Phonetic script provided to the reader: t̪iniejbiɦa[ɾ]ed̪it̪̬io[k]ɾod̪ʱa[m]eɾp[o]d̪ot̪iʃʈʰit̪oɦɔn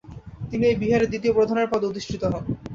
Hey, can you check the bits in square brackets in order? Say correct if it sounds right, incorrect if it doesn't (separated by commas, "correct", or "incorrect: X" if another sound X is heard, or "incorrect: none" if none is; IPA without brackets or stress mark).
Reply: correct, incorrect: p, incorrect: n, incorrect: ɔ